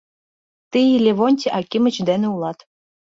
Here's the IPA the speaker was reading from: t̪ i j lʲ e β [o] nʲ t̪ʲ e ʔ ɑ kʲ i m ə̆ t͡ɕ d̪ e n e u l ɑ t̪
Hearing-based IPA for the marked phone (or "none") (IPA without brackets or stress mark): o